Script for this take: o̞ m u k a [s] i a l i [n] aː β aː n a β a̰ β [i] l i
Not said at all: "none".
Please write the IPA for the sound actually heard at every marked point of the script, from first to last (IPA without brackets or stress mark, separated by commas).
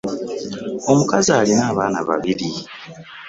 z, n, i